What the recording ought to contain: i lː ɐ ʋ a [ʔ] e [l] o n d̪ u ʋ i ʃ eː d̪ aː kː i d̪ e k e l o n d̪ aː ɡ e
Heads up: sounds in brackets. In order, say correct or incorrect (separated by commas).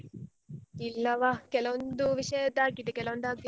incorrect, correct